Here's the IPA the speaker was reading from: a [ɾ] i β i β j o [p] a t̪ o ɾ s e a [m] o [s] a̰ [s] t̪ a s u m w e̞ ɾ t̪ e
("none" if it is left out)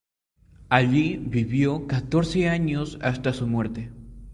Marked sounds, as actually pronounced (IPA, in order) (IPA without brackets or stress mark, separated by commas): ʎ, k, ɲ, s, s